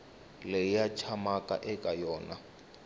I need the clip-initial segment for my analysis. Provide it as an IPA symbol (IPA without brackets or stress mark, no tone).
l